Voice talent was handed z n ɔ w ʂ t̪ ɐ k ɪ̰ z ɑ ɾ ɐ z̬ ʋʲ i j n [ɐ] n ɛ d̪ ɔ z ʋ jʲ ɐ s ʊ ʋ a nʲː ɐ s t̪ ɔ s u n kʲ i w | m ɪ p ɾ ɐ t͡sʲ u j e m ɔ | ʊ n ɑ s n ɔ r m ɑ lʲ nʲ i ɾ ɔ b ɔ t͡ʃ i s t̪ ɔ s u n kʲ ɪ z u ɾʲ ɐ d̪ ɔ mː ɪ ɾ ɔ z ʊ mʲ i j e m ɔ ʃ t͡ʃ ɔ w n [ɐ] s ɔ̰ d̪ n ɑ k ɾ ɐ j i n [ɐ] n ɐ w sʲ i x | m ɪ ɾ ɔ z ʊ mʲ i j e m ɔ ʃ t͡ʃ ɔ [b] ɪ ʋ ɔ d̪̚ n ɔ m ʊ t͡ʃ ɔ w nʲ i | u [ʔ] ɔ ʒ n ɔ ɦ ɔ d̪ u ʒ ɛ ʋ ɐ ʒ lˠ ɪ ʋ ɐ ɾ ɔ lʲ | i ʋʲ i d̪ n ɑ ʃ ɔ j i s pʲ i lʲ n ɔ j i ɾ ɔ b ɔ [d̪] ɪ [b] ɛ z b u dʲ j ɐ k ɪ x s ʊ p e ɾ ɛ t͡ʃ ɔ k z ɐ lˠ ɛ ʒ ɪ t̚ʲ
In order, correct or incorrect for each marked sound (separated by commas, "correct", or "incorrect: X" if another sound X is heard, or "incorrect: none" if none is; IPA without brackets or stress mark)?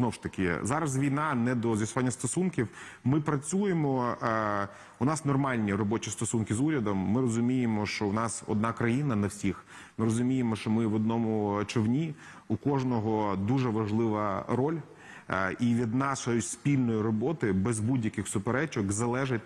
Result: incorrect: ɑ, incorrect: ɑ, correct, incorrect: m, incorrect: k, incorrect: t̪, correct